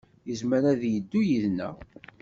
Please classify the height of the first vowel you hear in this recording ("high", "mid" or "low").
mid